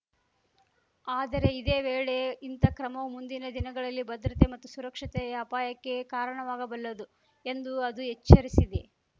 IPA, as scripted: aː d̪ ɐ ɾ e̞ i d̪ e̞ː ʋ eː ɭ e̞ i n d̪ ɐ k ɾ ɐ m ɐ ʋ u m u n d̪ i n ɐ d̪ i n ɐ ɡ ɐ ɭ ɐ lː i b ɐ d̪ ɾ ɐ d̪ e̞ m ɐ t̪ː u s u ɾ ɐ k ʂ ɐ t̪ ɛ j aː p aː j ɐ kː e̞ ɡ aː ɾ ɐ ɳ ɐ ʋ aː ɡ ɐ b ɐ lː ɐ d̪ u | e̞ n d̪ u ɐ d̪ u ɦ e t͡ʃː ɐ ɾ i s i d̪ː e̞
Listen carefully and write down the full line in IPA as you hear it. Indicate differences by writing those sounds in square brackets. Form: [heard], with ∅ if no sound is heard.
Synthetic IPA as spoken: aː d̪ ɐ ɾ e̞ i d̪ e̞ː ʋ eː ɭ e̞ i n [t̪] ɐ k ɾ ɐ m ɐ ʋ u m u n d̪ i n ɐ d̪ i n ɐ ɡ ɐ ɭ ɐ lː i b ɐ d̪ ɾ ɐ [t̪] e̞ m ɐ t̪ː u s u ɾ ɐ k ʂ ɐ t̪ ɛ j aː p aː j ɐ kː e̞ [k] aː ɾ ɐ ɳ ɐ ʋ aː ɡ ɐ b ɐ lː ɐ d̪ u | e̞ n d̪ u ɐ d̪ u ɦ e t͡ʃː ɐ ɾ i s i [d̪] e̞